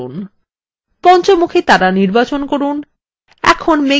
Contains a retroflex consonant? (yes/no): no